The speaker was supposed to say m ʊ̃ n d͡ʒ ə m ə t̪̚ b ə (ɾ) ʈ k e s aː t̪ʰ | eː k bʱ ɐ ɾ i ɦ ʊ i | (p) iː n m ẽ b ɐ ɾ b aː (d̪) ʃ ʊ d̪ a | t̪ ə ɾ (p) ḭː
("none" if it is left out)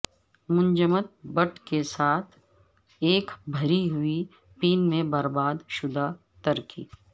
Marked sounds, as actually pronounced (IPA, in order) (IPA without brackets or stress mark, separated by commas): none, p, d̪, k